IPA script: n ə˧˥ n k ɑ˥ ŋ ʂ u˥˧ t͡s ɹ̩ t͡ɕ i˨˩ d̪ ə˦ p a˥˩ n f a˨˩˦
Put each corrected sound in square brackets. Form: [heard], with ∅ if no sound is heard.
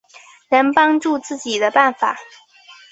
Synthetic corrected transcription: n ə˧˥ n [p] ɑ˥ ŋ [ʈ͡ʂ] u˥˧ t͡s ɹ̩ t͡ɕ i˨˩ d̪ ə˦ p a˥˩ n f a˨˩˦